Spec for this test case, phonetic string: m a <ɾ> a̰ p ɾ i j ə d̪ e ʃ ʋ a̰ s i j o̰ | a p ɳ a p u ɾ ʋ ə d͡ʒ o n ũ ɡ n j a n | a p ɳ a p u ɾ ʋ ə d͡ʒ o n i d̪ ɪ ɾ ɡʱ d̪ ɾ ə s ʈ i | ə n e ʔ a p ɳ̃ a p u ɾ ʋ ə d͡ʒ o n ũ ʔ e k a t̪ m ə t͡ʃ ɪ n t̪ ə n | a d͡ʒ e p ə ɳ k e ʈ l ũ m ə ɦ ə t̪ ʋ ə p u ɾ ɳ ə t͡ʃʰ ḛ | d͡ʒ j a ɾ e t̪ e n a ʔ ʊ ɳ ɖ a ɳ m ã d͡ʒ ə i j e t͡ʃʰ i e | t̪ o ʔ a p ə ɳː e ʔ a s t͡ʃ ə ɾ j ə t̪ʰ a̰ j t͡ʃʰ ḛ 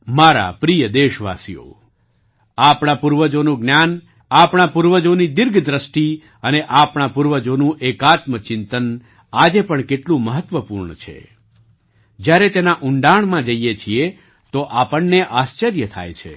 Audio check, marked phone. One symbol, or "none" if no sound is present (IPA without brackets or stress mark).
ɾ